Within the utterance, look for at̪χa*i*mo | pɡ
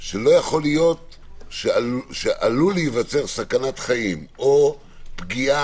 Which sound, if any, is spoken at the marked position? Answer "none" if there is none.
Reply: i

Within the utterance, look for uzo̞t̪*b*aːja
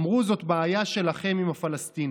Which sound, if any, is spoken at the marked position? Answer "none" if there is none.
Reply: b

